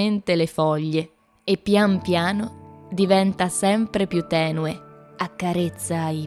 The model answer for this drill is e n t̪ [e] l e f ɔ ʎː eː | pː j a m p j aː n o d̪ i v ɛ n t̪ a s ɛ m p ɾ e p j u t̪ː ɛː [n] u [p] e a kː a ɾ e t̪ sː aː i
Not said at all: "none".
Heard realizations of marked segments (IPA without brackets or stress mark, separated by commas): e, n, none